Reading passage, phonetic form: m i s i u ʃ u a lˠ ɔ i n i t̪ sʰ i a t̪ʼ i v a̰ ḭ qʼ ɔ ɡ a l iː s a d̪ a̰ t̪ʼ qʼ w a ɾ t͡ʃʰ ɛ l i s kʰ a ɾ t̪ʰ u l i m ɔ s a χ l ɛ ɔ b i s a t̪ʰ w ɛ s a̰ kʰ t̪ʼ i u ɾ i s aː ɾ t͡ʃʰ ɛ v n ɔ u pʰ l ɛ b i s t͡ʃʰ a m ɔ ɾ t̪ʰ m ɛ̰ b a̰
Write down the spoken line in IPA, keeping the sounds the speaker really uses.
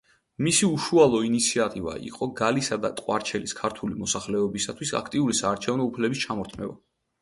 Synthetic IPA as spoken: m i s i u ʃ u a lˠ ɔ i n i t̪ sʰ i a t̪ʼ i v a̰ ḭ qʼ ɔ ɡ a l i s a d̪ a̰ t̪ʼ qʼ w a ɾ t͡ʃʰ ɛ l i s kʰ a ɾ t̪ʰ u l i m ɔ s a χ l ɛ ɔ b i s a t̪ʰ w i s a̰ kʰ t̪ʼ i u ɾ i s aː ɾ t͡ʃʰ ɛ v n ɔ u pʰ l ɛ b i s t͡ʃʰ a m ɔ ɾ t̪ʰ m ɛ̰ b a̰